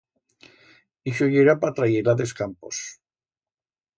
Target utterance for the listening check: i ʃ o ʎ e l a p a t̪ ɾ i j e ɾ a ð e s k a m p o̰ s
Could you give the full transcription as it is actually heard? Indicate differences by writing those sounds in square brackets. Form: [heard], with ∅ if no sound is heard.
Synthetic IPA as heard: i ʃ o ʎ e [ɾ] a p a t̪ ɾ [a] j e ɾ a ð e s k a m p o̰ s